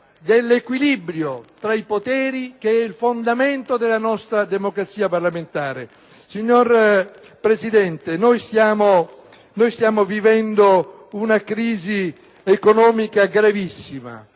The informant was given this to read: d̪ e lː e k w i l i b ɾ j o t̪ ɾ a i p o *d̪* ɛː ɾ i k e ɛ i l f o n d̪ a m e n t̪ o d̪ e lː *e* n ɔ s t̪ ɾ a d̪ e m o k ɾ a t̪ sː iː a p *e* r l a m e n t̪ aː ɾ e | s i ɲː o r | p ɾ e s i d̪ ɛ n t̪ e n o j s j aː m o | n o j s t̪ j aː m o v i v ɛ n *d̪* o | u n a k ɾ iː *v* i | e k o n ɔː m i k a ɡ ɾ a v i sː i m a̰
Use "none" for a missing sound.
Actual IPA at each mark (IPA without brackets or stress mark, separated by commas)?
t̪, a, a, d̪, z